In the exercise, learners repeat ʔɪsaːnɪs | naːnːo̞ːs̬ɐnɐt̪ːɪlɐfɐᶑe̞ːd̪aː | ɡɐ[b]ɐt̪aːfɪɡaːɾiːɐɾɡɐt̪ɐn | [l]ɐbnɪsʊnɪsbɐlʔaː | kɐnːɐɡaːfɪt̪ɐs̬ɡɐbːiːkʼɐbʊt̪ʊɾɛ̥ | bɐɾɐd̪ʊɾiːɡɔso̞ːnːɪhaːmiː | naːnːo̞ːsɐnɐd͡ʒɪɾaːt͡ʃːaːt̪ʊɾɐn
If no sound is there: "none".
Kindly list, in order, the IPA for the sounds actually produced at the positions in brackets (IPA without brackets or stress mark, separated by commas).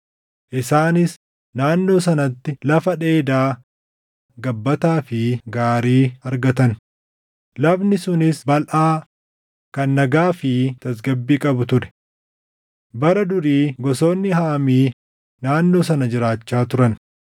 bː, l